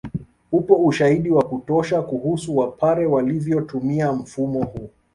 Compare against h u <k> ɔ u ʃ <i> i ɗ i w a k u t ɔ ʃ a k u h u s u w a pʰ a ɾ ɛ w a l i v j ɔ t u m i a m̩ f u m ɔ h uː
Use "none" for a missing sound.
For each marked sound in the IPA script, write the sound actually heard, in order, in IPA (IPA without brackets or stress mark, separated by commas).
p, a